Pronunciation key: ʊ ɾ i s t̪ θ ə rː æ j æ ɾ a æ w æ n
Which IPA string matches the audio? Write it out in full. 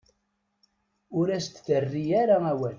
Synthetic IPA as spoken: ʊ ɾ æ s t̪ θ ə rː i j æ ɾ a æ w æ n